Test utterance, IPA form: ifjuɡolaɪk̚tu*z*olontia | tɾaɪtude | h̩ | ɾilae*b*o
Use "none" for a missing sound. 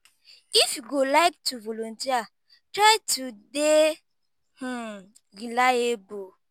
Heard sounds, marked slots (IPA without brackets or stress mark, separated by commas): v, b